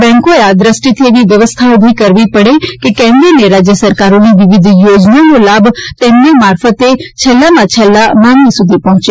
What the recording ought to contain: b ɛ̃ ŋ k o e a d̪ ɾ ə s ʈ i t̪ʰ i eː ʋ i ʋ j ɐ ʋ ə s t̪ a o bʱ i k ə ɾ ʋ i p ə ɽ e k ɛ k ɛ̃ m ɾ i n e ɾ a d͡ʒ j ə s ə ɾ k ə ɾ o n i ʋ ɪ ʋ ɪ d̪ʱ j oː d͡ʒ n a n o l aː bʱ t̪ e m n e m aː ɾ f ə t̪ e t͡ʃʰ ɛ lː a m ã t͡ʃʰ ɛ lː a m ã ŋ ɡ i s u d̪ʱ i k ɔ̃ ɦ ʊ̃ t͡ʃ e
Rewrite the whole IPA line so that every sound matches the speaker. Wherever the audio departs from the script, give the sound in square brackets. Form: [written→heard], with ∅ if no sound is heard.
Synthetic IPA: b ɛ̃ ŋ k o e a d̪ ɾ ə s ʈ i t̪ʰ i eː ʋ i ʋ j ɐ ʋ ə s [t̪→t̪ʰ] a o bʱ i k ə ɾ ʋ i p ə ɽ e k [ɛ→e] k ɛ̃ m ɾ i n e ɾ a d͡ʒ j ə s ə ɾ k [ə→a] ɾ o n i ʋ ɪ ʋ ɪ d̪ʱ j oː d͡ʒ n a n o l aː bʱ t̪ e m n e m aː ɾ f ə t̪ e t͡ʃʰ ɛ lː a m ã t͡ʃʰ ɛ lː a m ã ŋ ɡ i s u d̪ʱ i [k→p] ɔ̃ ɦ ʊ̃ t͡ʃ e